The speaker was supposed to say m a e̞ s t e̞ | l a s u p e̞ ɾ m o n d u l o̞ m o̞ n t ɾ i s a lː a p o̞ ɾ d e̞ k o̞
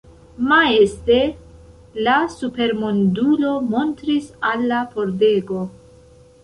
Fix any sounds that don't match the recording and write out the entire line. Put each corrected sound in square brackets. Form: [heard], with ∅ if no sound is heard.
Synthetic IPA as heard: m a e̞ s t e̞ | l a s u p e̞ ɾ m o n d u l o̞ m o̞ n t ɾ i s a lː a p o̞ ɾ d e̞ [ɡ] o̞